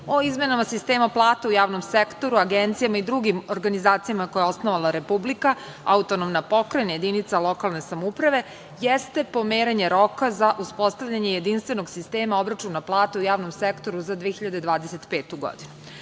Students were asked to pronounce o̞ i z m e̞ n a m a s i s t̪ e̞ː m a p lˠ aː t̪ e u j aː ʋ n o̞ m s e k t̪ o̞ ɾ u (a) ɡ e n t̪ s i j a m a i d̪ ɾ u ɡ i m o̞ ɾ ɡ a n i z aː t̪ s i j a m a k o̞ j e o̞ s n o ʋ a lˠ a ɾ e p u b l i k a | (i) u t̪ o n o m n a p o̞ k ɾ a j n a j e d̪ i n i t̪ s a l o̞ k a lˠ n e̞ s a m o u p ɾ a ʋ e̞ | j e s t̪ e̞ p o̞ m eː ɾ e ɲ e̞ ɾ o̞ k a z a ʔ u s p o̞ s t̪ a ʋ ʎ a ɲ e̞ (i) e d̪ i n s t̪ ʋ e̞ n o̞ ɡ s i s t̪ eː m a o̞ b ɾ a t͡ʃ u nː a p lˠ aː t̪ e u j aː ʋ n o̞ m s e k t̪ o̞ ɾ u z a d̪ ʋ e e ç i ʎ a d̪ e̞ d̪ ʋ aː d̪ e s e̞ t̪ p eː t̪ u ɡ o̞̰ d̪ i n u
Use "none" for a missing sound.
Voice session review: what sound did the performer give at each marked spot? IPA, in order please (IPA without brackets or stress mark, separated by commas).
a, a, j